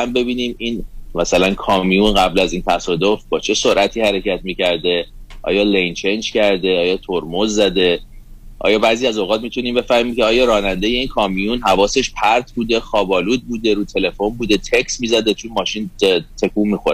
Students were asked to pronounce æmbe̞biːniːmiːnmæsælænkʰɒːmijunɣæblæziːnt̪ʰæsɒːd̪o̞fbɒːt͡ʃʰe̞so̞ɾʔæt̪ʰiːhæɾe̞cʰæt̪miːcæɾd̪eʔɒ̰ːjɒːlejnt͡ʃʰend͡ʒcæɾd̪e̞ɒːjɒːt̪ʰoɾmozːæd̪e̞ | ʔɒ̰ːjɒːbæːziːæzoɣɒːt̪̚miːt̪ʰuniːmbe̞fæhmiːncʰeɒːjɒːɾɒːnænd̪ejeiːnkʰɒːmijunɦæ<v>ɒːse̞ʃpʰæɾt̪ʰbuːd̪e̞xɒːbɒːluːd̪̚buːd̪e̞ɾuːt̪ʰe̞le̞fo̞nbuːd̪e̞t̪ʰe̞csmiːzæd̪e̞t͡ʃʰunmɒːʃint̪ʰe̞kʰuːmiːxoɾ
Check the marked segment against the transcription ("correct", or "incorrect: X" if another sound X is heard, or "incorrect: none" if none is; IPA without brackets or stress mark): correct